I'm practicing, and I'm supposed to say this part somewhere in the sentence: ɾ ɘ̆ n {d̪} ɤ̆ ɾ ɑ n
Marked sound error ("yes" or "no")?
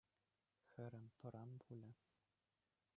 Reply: yes